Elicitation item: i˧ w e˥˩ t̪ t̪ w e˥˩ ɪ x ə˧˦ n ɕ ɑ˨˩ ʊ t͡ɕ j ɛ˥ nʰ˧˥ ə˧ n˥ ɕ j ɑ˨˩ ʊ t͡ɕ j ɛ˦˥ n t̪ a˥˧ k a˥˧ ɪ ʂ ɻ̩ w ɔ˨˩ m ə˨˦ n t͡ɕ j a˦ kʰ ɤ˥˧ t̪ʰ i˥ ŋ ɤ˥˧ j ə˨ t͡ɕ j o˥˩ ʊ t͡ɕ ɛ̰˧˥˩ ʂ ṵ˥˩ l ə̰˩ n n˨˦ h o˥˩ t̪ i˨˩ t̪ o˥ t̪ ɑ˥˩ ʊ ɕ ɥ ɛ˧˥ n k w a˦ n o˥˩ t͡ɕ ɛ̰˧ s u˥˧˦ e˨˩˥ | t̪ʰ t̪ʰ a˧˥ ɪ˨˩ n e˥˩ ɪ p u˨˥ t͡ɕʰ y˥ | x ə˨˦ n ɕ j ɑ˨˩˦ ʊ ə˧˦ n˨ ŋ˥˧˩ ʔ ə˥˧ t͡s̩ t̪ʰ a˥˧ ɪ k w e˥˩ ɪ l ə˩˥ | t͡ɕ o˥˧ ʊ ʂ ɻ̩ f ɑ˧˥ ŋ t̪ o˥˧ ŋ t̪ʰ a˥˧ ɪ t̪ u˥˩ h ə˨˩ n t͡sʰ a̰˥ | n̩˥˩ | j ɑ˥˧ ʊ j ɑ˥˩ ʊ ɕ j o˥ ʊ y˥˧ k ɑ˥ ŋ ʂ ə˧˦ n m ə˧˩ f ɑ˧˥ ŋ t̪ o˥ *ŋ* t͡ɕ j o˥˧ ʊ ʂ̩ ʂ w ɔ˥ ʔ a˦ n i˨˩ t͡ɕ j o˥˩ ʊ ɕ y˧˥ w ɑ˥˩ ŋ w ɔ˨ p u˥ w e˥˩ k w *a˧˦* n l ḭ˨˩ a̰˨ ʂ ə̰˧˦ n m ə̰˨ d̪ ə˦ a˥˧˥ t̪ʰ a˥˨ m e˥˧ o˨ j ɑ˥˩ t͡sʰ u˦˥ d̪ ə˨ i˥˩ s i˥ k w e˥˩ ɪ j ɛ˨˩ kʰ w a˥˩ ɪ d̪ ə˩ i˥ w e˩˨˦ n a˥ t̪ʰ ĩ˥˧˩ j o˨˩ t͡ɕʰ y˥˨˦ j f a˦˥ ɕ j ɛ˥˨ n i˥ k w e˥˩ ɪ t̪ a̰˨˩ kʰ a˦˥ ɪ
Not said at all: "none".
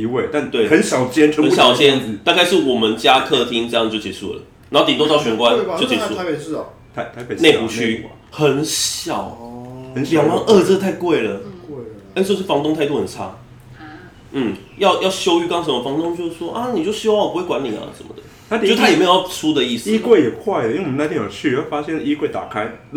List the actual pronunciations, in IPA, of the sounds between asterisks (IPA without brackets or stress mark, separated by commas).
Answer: ŋ, a˧˦